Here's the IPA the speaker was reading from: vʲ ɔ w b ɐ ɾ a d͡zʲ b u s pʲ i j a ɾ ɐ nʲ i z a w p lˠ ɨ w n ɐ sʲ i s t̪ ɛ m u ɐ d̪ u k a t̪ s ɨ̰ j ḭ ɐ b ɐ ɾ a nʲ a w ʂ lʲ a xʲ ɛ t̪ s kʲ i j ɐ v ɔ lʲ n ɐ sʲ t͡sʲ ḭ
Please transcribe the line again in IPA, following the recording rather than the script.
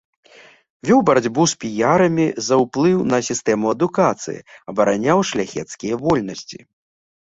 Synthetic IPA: vʲ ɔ w b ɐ ɾ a d͡zʲ b u s pʲ i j a ɾ ɐ mʲ i z ɐ w p lˠ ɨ w n ɐ sʲ i s t̪ ɛ m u ɐ d̪ u k a t̪ s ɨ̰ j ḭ ɐ b ɐ ɾ a nʲ a w ʂ lʲ a xʲ ɛ t̪ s kʲ i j ɐ v ɔ lʲ n ɐ sʲ t͡sʲ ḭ